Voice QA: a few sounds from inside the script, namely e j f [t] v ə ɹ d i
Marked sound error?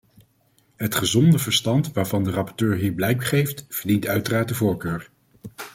no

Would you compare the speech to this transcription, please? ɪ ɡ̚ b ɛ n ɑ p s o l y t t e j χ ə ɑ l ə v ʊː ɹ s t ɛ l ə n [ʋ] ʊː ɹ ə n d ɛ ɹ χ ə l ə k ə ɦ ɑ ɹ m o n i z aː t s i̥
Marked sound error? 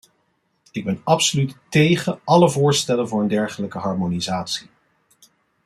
yes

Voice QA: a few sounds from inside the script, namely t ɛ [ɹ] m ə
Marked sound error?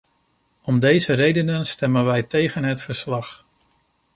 yes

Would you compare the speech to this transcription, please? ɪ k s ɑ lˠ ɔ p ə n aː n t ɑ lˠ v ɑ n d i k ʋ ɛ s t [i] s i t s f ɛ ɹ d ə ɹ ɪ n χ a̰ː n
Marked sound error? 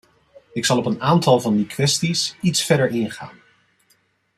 no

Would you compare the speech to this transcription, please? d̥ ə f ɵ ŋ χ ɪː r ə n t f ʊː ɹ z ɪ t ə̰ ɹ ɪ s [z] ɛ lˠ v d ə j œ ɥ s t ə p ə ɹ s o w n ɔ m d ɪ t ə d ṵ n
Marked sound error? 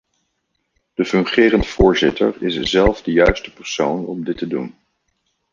no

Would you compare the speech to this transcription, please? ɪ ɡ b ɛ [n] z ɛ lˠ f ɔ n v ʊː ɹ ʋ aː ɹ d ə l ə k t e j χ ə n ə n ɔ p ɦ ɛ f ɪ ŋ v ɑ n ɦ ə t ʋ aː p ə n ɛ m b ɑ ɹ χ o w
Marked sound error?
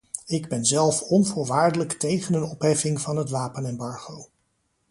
no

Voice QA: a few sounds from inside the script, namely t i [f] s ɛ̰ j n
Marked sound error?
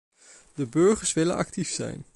no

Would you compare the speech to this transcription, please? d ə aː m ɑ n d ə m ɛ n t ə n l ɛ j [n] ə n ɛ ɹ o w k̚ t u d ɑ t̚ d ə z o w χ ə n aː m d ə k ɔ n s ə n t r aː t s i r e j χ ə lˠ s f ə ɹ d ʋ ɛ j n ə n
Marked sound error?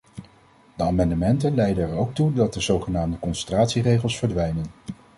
yes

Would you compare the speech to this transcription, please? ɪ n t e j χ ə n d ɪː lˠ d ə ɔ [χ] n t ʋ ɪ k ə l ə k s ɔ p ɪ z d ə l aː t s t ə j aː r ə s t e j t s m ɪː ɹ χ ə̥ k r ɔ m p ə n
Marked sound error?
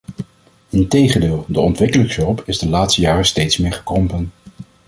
yes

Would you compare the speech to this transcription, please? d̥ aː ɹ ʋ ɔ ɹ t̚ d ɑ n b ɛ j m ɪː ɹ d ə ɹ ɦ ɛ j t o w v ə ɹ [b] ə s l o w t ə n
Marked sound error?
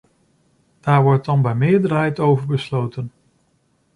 no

